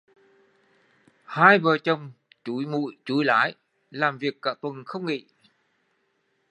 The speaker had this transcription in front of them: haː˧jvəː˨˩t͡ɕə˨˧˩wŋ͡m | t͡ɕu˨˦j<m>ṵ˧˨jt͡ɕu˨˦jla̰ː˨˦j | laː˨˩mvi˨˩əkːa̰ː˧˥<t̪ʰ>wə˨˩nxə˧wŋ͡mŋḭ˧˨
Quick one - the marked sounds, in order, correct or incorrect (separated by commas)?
correct, incorrect